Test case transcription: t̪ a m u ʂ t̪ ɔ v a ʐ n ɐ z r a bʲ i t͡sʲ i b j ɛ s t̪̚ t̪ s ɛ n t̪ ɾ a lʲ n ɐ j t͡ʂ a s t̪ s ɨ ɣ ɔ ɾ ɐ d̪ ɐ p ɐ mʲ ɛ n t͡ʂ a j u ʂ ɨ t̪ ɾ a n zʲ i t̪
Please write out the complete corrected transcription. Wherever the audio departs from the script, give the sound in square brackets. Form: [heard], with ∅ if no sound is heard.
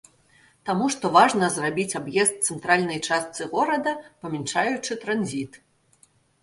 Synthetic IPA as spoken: t̪ a m u ʂ t̪ ɔ v a ʐ n ɐ z r a bʲ i t͡sʲ [a] b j ɛ s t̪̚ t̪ s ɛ n t̪ ɾ a lʲ n ɐ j t͡ʂ a s t̪ s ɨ ɣ ɔ ɾ ɐ d̪ ɐ p ɐ mʲ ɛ n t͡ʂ a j u [t͡ʂ] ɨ t̪ ɾ a n zʲ i t̪